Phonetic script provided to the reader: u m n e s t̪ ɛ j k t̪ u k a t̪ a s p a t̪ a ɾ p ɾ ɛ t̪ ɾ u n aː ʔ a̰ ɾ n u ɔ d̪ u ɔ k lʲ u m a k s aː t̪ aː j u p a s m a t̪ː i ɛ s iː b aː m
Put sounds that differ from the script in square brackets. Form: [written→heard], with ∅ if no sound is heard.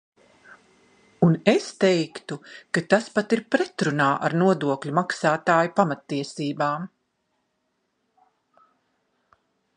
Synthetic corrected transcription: u [m→∅] n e s t̪ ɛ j k t̪ u k a t̪ a s p a t̪ [a→i] ɾ p ɾ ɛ t̪ ɾ u n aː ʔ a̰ ɾ n u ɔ d̪ u ɔ k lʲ u m a k s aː t̪ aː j u p a [s→∅] m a t̪ː i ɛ s iː b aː m